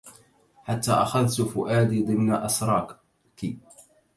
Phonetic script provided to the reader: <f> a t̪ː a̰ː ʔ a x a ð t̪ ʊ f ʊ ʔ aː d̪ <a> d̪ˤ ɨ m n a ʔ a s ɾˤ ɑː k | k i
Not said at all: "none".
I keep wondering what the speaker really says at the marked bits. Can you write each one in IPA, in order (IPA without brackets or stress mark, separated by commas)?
ħ, i